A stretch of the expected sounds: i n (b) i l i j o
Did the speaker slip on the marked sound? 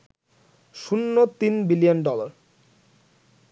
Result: no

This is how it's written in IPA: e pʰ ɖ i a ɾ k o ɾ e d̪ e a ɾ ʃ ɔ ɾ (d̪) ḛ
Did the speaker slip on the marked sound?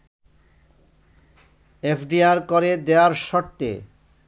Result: yes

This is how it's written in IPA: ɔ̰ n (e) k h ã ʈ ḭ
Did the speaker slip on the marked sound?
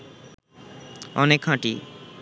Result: no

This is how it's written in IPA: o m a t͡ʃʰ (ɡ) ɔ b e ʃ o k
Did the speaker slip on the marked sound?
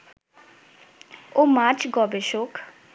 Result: no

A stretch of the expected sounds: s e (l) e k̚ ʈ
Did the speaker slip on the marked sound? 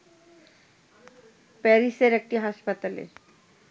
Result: yes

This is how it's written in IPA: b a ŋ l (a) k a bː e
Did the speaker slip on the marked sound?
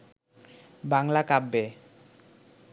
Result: no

